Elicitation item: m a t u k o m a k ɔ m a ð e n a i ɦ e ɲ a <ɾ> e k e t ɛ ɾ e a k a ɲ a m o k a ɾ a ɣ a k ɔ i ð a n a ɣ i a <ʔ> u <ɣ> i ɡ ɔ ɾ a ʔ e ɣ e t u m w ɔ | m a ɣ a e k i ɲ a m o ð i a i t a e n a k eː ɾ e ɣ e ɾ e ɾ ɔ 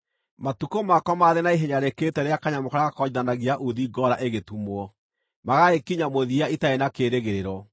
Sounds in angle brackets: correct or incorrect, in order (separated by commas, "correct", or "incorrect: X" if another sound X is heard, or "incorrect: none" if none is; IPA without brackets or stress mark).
correct, correct, incorrect: ð